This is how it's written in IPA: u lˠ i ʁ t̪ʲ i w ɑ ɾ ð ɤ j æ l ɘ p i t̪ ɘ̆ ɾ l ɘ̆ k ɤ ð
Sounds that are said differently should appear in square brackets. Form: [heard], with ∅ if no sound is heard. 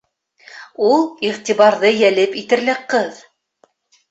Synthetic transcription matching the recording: u lˠ i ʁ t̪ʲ i [β] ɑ ɾ ð ɤ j æ l ɘ p i t̪ ɘ̆ ɾ l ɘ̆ [q] ɤ ð